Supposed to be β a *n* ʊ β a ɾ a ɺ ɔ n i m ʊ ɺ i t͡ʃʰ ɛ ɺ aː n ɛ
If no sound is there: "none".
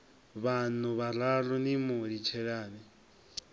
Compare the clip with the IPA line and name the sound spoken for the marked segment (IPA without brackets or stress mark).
n